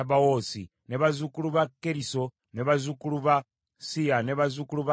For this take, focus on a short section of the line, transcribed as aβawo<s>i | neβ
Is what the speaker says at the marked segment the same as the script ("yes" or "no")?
yes